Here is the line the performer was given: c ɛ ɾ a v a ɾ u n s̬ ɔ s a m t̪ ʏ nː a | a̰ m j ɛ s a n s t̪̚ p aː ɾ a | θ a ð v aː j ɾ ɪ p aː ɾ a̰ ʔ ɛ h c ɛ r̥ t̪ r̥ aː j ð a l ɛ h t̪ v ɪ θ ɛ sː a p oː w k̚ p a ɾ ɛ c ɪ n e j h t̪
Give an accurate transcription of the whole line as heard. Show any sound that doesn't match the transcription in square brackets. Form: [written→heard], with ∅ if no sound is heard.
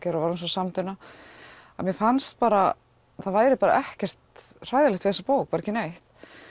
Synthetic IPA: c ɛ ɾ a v a ɾ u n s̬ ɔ s a m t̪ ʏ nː a | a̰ m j ɛ [s→f] a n s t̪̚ p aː ɾ a | θ a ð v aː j ɾ ɪ p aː ɾ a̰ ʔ ɛ h c ɛ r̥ t̪ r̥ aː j ð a l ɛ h t̪ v ɪ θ ɛ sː a p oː w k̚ p a ɾ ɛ c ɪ n e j h t̪

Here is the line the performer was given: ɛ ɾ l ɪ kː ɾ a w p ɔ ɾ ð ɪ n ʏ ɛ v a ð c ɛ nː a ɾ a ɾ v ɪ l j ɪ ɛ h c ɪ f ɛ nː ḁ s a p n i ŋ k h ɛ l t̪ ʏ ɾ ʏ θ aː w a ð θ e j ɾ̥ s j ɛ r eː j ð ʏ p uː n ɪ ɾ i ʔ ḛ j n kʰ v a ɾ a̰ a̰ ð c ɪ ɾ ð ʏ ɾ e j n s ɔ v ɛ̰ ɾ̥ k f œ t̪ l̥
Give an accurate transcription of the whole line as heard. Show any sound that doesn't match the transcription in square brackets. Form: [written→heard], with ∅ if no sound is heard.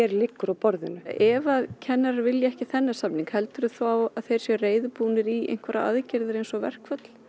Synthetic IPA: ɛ ɾ l ɪ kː ɾ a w p ɔ ɾ ð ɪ n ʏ ɛ v a ð [c→cʰ] ɛ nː a ɾ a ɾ v ɪ l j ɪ ɛ h c ɪ [f→θ] ɛ nː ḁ s a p n i ŋ k h ɛ l t̪ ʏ ɾ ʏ θ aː w a ð θ e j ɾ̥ s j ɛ r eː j ð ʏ p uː n ɪ ɾ i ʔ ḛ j n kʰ v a ɾ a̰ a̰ ð c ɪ ɾ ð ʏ ɾ e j n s ɔ v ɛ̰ [ɾ̥→r̥] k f œ t̪ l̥

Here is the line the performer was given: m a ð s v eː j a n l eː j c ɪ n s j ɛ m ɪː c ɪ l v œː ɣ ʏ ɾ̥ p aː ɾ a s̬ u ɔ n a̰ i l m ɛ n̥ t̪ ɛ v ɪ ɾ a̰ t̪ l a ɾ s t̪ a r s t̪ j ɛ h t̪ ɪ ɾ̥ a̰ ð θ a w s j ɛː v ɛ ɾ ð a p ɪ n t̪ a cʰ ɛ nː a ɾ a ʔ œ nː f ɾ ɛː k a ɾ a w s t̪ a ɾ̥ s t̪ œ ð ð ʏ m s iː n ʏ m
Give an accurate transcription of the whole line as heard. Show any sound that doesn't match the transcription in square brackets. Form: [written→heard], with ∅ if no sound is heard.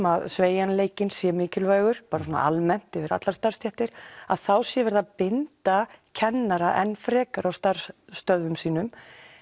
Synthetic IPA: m a ð s v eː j a n l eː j c ɪ n s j ɛ m ɪː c ɪ l v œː ɣ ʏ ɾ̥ p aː ɾ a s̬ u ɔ n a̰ [i→a] l m ɛ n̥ t̪ ɛ v ɪ ɾ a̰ t̪ l a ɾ s t̪ a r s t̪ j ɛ h t̪ ɪ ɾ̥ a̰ ð θ a w s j [ɛː→ɛ] v ɛ ɾ ð a p ɪ n t̪ a cʰ ɛ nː a ɾ a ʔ [œ→ɛ] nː f ɾ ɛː k a ɾ a w s t̪ a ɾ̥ s t̪ œ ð ð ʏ m s iː n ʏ m

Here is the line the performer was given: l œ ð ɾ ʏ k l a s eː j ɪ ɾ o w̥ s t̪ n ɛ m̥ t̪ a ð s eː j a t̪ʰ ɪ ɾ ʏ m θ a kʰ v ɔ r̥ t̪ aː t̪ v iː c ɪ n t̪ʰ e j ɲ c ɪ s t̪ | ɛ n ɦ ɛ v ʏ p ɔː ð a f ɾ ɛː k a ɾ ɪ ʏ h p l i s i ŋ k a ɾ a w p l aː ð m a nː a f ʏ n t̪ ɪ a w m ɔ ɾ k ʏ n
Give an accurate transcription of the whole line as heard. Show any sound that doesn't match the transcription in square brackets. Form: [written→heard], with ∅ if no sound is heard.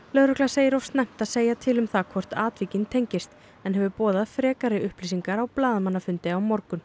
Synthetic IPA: l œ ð ɾ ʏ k l a s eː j ɪ ɾ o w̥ s t̪ n ɛ m̥ t̪ a ð s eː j a t̪ʰ ɪ [ɾ→l] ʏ m θ a kʰ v ɔ r̥ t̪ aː t̪ v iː c ɪ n t̪ʰ e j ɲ c ɪ s t̪ | ɛ n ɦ ɛ v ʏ p ɔː ð a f ɾ ɛː k a ɾ ɪ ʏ h p l i s i ŋ k a ɾ a w p l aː ð m a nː a f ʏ n t̪ ɪ a w m ɔ ɾ k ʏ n

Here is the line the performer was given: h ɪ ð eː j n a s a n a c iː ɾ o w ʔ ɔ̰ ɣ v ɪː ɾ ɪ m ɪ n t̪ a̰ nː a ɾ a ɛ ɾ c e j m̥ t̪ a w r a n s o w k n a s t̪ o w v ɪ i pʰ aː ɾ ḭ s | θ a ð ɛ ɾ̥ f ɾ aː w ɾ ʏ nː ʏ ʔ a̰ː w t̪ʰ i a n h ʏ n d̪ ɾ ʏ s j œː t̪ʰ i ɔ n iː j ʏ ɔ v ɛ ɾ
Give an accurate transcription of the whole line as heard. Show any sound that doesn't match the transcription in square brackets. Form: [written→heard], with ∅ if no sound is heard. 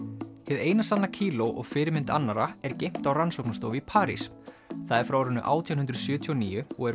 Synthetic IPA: h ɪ ð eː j n a s a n a [c→cʰ] iː [ɾ→l] o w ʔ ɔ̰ ɣ [v→f] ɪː ɾ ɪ m ɪ n t̪ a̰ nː a ɾ a ɛ ɾ c e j m̥ t̪ a w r a n s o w k n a s t̪ o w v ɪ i pʰ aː ɾ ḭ s | θ a ð ɛ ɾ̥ f ɾ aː w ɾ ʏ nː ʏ ʔ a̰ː w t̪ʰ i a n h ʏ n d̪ ɾ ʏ s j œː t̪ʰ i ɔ n iː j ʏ ɔ [v→ɣ] ɛ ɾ

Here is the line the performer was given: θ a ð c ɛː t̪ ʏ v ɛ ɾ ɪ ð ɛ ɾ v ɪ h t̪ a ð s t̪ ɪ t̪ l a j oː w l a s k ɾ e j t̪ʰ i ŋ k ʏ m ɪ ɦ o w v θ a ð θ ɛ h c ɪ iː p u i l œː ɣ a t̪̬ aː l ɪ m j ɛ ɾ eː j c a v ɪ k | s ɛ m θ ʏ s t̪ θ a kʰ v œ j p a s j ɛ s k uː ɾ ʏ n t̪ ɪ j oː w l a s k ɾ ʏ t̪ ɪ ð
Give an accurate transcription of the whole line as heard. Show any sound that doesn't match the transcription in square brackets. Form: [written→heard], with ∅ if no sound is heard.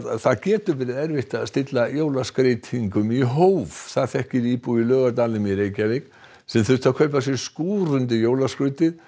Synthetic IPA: θ a ð c ɛː t̪ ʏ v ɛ ɾ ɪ ð ɛ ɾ v ɪ h t̪ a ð s t̪ ɪ t̪ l a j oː w l a s k ɾ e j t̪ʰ i ŋ k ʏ m [ɪ→i] ɦ o w v θ a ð θ ɛ h c ɪ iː p u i l œː ɣ a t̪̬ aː l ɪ m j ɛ ɾ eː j c a v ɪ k | s ɛ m θ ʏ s t̪ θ a kʰ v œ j p a s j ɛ s k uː ɾ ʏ n t̪ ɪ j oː w l a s k ɾ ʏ t̪ ɪ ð

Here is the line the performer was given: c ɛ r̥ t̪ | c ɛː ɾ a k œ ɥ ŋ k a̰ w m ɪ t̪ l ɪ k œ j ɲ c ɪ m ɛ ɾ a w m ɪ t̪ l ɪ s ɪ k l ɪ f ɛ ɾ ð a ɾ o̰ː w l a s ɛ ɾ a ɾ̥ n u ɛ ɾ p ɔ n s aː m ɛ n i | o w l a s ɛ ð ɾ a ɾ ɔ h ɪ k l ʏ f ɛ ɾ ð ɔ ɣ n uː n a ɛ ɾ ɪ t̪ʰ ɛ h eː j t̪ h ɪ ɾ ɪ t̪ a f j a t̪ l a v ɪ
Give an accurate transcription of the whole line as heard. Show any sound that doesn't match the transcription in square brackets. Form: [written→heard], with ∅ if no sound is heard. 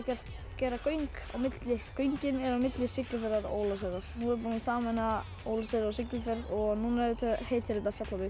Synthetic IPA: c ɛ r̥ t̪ | c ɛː ɾ a k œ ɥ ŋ k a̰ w m ɪ t̪ l ɪ k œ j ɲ c ɪ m ɛ ɾ a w m ɪ t̪ l ɪ s ɪ k l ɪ f ɛ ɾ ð a ɾ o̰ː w l a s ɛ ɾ a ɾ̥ n u ɛ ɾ p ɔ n s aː m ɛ n [i→a] | o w l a s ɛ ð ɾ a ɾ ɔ [h→s] ɪ k l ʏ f ɛ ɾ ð ɔ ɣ n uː n a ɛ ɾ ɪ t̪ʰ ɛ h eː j t̪ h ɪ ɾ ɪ t̪ a f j a t̪ l a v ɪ

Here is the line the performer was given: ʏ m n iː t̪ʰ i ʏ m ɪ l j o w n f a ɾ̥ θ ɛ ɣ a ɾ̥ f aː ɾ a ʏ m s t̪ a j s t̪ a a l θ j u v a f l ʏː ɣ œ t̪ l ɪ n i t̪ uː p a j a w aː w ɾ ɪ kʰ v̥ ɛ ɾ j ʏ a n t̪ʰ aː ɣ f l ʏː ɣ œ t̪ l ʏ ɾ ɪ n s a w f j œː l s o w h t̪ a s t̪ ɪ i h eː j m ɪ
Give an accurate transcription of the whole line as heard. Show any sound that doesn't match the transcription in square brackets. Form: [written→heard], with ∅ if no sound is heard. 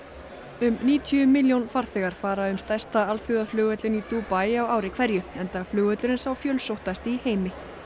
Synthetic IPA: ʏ m n iː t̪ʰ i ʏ m ɪ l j o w n f a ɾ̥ θ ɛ ɣ a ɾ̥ f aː ɾ a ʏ m s t̪ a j s t̪ a a l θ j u [v→ð] a f l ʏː ɣ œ t̪ l ɪ n i t̪ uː p a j a w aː w ɾ ɪ kʰ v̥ ɛ ɾ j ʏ [a→ɛ] n [t̪ʰ→t̪] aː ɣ f l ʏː ɣ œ t̪ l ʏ ɾ ɪ n s a w f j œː l s o w h t̪ a s t̪ ɪ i h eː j m ɪ

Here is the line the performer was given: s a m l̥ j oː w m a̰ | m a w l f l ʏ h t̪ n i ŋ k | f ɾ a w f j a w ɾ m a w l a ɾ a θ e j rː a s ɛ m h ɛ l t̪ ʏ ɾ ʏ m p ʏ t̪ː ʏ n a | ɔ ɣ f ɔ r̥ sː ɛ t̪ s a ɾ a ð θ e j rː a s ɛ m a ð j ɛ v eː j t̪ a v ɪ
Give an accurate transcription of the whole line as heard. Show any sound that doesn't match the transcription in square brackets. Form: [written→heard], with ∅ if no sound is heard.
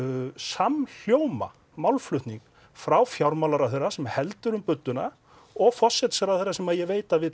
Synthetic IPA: s a m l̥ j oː w m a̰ | m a w l f l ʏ h t̪ n i ŋ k | f ɾ a w f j a w ɾ m a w l a ɾ a θ e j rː a s ɛ m h ɛ l t̪ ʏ ɾ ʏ m p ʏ t̪ː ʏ n a | ɔ ɣ f ɔ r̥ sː ɛ t̪ s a ɾ a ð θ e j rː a s ɛ m a ð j ɛ v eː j t̪ a v ɪ

